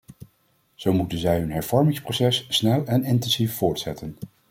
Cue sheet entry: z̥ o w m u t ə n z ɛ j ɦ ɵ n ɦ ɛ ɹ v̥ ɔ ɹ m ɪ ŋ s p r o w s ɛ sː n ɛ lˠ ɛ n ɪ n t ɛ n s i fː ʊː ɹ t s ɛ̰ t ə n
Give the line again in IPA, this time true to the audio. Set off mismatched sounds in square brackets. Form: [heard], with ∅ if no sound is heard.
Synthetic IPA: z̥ o w m u t ə n z ɛ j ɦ ɵ n ɦ ɛ ɹ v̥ ɔ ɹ m ɪ ŋ s p r o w s ɛ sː n ɛ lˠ ɛ n ɪ n t ɛ n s i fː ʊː ɹ t s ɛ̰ t ə n

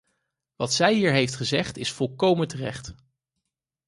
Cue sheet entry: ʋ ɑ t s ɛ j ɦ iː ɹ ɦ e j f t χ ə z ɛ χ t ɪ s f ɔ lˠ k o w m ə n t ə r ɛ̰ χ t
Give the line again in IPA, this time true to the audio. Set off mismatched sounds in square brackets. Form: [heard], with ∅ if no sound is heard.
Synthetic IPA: ʋ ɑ t s ɛ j ɦ iː ɹ ɦ e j f t χ ə z ɛ χ t ɪ s f ɔ lˠ k o w m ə n t ə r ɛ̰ χ t

